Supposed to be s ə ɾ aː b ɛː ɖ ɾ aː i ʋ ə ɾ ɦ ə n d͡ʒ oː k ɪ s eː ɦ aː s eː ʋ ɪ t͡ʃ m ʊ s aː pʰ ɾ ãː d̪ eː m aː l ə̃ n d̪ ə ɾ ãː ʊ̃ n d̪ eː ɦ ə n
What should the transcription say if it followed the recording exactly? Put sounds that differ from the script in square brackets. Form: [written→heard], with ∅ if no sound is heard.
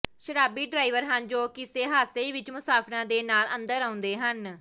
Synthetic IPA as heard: [s→ʃ] ə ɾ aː b [ɛː→iː] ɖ ɾ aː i ʋ ə ɾ ɦ ə n d͡ʒ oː k ɪ s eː ɦ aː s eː ʋ ɪ t͡ʃ m ʊ s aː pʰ ɾ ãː d̪ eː [m→n] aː l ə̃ n d̪ ə ɾ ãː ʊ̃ n d̪ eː ɦ ə n